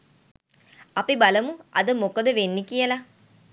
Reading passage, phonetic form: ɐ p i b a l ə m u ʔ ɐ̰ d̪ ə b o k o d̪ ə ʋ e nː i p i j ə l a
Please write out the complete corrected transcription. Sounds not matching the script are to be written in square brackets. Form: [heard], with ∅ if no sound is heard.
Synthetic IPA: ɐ p i b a l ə m u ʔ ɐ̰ d̪ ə [m] o k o d̪ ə ʋ e nː i [k] i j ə l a